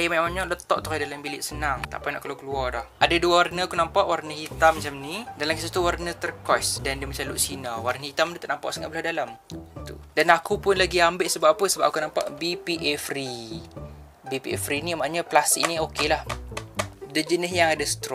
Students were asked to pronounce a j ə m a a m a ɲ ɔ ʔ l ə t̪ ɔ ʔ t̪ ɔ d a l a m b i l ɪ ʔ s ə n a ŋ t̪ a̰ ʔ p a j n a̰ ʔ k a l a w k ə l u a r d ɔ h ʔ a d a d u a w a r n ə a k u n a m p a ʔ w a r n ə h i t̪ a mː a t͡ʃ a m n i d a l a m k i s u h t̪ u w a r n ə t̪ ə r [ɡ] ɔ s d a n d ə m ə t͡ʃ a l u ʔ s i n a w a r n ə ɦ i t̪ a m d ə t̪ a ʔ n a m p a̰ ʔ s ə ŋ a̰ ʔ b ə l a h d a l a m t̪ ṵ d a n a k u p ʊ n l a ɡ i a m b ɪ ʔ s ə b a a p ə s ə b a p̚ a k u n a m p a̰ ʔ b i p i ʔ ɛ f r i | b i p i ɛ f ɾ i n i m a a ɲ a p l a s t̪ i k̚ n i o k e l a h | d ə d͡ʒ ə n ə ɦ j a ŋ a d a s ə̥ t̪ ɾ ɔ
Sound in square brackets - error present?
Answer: yes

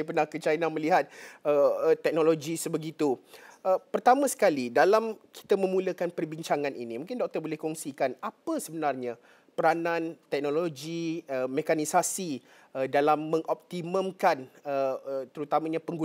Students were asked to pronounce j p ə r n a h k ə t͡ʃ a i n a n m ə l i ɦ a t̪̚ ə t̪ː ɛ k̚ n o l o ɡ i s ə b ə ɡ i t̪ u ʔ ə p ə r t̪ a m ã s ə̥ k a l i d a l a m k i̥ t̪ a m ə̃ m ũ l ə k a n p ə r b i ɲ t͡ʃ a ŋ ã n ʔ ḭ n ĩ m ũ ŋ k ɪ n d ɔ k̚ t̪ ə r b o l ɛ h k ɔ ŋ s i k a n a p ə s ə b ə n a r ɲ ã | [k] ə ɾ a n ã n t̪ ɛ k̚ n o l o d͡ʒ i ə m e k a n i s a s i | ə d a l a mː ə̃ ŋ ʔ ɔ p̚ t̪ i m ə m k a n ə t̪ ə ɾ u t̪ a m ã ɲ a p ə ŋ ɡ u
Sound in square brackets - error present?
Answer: yes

